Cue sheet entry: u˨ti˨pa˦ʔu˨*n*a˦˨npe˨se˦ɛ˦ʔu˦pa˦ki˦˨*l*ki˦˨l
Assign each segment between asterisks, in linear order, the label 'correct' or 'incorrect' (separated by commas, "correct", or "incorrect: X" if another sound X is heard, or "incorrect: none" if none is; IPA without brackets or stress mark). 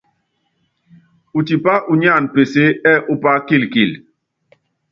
incorrect: ɲ, correct